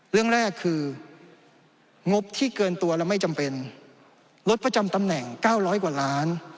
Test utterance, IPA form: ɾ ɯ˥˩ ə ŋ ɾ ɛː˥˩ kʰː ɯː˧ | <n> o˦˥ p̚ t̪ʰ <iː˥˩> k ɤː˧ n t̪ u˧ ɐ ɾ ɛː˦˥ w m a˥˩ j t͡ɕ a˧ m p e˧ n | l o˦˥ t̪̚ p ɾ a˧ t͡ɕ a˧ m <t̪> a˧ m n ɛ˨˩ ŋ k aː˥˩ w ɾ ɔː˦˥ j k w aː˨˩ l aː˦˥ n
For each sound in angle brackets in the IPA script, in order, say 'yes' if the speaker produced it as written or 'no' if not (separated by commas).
no, yes, yes